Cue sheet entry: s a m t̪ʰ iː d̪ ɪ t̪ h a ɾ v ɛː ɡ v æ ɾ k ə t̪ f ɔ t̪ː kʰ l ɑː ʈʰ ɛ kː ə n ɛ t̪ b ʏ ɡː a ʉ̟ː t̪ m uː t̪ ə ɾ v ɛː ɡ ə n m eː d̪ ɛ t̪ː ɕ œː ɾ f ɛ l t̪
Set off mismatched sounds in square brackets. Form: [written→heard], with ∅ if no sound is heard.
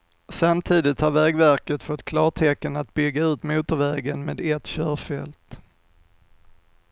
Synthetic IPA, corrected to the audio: s a m t̪ʰ iː d̪ ɪ t̪ h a ɾ v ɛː ɡ v æ ɾ k ə t̪ f ɔ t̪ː kʰ l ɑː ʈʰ ɛ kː ə n [ɛ→a] t̪ b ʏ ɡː a ʉ̟ː t̪ m uː t̪ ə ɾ v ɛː ɡ ə n m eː d̪ ɛ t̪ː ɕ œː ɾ f ɛ l t̪